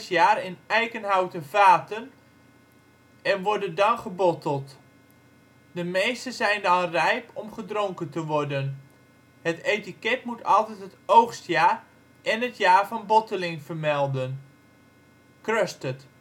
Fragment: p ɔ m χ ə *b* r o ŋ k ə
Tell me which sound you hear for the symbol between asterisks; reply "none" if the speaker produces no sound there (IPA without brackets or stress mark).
d